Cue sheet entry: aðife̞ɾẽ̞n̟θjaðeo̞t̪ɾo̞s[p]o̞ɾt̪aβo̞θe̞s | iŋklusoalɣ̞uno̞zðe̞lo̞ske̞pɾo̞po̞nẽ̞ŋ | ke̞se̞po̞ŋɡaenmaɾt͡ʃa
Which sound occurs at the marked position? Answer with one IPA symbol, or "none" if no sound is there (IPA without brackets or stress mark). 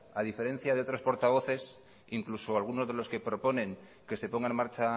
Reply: p